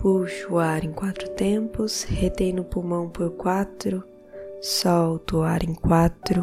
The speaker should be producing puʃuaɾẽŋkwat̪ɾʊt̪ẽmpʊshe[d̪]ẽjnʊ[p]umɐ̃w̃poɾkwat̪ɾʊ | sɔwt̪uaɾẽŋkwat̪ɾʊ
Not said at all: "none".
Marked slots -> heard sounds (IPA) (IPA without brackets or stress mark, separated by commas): t̪, p